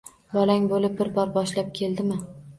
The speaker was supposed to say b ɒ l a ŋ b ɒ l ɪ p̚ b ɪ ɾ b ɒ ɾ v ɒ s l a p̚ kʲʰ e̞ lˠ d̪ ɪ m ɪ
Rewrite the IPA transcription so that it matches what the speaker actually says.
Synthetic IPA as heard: b ɒ l a ŋ b o l ɪ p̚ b ɪ ɾ b ɒ ɾ b ɒ ʃ l a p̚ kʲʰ e̞ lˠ d̪ ɪ m ɪ